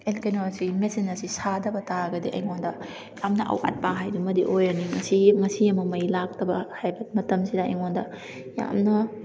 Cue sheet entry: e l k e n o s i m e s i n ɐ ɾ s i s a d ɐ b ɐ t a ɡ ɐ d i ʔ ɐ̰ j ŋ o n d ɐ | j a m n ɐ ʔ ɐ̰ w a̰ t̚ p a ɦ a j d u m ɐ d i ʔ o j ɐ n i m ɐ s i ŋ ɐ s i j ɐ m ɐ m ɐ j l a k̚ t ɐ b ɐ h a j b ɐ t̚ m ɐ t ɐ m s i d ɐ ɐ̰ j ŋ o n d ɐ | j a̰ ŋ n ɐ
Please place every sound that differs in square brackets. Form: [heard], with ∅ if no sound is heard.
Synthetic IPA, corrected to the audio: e l k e n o s i m e s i n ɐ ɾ s i s a d ɐ b ɐ t a ɡ ɐ d i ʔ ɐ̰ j ŋ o n d ɐ | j a m n ɐ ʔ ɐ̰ w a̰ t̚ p a ɦ a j d u m ɐ d i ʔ o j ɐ n i [ŋ] ɐ s i ŋ ɐ s i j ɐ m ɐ m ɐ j l a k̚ t ɐ b ɐ h a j b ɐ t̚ m ɐ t ɐ m s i d ɐ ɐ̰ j ŋ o n d ɐ | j a̰ [m] n ɐ